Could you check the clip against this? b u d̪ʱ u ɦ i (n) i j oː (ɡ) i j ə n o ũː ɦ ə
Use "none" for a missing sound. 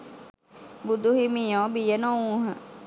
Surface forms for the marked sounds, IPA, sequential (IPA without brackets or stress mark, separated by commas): m, b